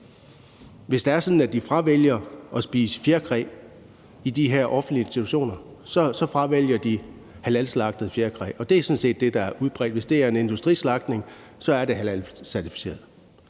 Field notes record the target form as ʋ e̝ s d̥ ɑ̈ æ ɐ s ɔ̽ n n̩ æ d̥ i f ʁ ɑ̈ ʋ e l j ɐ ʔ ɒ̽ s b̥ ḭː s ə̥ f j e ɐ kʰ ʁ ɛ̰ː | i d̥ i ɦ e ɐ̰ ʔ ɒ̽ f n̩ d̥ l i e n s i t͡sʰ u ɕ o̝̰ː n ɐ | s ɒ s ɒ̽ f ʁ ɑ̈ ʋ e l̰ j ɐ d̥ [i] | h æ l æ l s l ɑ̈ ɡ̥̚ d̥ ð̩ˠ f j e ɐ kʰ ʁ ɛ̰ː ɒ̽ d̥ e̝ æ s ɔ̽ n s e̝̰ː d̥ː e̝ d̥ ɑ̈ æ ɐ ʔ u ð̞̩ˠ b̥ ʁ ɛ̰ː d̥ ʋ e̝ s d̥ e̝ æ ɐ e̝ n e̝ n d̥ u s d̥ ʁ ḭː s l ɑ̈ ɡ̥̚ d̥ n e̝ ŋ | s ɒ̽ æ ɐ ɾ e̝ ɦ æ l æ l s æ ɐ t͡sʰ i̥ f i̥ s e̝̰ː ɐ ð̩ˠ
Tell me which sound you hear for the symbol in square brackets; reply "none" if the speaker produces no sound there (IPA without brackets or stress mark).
i